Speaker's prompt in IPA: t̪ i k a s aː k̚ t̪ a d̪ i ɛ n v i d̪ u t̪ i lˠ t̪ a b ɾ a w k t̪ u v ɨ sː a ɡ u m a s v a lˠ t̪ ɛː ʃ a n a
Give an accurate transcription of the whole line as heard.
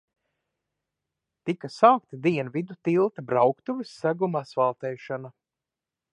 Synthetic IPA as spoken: t̪ i k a s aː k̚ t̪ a d̪ i ɛ n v i d̪ u t̪ i lˠ t̪ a b ɾ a w k t̪ u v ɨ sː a ɡ u m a s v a lˠ t̪ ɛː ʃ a n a